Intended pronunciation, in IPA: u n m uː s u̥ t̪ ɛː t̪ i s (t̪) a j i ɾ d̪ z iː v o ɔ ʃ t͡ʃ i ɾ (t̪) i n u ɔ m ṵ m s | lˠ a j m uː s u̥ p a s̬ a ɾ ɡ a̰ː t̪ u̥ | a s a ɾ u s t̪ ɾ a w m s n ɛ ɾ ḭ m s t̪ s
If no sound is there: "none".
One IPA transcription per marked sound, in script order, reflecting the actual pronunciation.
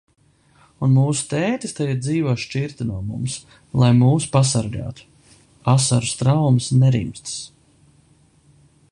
t̪, t̪

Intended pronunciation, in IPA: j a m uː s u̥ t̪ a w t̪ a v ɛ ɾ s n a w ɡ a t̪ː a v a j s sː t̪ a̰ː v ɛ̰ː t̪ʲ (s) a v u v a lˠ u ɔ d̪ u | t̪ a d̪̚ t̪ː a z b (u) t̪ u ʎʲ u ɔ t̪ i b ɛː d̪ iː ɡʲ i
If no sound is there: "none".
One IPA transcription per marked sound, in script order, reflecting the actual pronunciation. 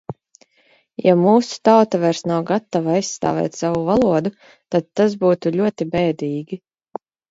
s, uː

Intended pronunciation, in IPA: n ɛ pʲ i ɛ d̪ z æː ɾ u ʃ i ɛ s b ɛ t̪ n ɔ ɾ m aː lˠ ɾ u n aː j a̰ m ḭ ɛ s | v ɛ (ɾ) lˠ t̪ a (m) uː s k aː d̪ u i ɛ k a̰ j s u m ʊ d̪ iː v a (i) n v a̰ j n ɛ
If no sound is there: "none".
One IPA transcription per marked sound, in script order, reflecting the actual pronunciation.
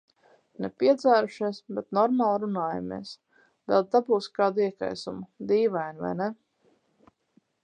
none, b, j

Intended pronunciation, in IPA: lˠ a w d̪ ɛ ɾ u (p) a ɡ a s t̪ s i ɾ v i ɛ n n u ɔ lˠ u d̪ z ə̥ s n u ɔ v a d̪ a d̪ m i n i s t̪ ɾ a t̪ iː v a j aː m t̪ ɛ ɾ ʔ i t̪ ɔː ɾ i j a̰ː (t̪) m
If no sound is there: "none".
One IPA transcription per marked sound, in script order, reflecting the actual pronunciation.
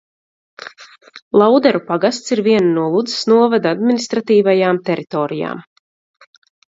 p, none

